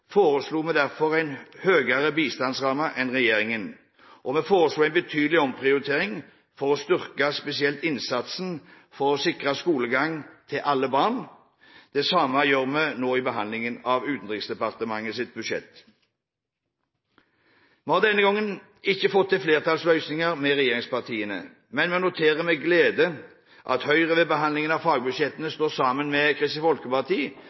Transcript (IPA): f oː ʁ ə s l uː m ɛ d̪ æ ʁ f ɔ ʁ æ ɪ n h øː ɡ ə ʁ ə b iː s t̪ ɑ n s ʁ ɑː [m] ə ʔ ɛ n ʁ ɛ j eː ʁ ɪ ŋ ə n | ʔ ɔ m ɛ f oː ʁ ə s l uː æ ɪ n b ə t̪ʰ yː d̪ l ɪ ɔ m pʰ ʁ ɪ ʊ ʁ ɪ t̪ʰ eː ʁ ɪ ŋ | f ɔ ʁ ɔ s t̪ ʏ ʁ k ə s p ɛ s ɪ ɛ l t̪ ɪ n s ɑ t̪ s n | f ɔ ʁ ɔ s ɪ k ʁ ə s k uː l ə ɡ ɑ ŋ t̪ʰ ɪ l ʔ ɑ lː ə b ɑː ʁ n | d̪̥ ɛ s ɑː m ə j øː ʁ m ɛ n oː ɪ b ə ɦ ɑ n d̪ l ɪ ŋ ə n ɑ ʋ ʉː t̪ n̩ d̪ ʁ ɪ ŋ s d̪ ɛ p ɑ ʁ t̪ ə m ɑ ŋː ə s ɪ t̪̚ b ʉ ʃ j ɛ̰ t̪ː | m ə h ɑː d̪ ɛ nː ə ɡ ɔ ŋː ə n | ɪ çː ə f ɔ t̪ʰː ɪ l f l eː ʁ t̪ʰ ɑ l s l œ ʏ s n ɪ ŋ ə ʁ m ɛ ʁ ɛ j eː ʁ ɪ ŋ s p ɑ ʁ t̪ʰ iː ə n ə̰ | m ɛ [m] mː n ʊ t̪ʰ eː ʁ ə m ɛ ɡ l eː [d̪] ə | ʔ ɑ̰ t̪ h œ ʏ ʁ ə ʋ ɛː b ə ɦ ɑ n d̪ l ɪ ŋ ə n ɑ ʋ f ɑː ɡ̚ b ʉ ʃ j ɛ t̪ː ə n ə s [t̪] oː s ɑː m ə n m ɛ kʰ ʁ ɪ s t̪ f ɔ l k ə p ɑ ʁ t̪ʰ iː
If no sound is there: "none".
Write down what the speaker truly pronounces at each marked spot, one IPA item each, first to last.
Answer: m, n, d̪, t̪

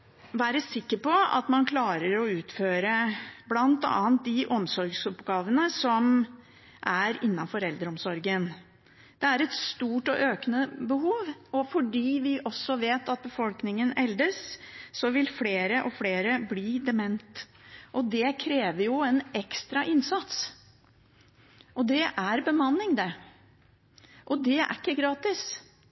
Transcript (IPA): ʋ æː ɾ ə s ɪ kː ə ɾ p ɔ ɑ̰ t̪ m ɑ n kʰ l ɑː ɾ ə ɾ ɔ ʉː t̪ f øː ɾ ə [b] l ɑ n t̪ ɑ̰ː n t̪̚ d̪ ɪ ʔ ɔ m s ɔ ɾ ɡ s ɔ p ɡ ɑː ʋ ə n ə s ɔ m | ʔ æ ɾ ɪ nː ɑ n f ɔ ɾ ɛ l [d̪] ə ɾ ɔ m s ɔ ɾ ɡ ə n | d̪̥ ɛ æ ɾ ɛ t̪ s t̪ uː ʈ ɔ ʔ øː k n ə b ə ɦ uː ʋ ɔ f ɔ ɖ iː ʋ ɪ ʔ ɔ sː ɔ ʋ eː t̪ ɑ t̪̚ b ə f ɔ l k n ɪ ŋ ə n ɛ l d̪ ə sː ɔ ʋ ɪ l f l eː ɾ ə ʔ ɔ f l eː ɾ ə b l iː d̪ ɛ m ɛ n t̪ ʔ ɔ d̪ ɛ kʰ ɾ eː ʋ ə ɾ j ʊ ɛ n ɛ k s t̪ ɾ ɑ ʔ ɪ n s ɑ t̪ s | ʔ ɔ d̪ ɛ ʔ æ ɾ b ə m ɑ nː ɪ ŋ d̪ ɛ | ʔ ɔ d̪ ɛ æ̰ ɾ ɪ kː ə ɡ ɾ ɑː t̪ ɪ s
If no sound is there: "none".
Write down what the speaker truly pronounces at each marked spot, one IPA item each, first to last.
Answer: b, d̪

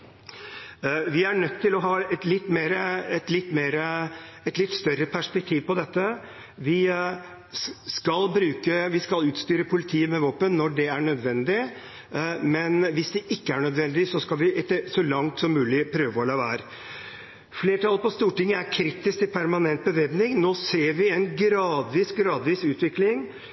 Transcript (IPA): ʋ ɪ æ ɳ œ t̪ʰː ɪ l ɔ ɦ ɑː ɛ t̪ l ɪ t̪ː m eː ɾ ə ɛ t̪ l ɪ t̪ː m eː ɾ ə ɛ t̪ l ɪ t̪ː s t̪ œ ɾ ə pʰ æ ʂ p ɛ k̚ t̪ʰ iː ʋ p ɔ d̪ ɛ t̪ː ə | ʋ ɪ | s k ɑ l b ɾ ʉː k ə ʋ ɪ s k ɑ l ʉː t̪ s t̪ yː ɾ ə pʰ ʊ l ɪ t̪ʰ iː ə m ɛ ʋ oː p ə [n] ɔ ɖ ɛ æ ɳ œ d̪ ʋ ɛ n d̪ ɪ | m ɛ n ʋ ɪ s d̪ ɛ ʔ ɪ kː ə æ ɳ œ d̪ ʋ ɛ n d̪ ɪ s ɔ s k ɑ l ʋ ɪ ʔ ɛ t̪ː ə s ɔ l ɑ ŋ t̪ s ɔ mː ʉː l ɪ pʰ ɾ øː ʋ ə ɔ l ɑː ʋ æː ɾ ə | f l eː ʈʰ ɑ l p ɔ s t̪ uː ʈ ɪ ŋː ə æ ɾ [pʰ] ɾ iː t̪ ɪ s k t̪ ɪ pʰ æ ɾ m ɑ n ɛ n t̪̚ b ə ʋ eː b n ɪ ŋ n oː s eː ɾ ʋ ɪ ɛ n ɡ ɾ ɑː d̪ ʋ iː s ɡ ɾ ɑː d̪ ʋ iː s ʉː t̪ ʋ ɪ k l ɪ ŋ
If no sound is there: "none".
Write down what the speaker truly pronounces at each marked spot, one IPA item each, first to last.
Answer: nː, kʰ

